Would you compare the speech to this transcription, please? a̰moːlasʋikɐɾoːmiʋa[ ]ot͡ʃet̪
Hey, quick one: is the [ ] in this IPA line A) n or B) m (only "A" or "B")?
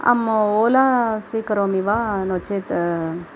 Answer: A